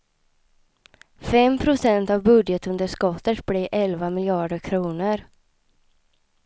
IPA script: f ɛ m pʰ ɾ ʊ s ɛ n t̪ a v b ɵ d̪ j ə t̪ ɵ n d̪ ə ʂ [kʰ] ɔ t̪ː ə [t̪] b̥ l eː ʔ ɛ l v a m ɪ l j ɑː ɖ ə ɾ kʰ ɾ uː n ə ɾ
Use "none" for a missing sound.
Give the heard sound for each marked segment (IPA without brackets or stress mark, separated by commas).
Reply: k, t̪